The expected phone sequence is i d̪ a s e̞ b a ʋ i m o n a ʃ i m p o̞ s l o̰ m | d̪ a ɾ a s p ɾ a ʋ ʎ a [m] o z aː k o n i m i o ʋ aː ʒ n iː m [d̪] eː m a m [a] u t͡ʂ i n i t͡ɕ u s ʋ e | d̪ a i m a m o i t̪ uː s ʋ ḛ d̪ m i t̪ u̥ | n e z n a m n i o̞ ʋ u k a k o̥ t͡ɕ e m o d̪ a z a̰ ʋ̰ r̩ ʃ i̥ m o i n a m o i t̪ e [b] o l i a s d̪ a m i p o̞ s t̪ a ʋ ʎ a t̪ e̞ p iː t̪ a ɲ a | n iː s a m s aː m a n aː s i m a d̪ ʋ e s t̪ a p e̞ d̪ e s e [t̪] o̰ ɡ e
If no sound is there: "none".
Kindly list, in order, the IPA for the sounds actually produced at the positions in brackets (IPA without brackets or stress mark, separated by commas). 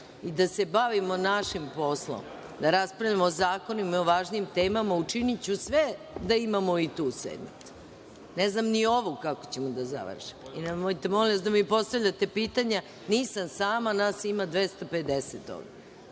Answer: m, t̪, a, m, t̪